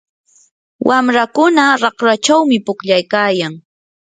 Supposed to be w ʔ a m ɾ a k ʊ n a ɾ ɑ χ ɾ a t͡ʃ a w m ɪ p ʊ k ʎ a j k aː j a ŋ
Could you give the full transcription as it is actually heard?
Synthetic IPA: w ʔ a m ɾ a k ʊ n a ɾ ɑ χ ɾ a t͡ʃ a w m ɪ p ʊ k ʎ a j k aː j a ŋ